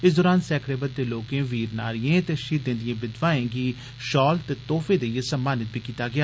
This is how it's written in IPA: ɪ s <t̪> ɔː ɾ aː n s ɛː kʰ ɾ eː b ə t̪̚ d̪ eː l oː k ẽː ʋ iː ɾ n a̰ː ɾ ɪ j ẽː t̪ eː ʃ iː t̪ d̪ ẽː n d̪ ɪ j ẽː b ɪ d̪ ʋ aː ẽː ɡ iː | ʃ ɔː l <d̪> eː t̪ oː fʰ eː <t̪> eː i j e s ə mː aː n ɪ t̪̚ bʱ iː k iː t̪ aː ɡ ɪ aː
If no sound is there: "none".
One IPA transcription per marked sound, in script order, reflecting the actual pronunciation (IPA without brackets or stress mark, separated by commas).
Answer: d̪, t̪, d̪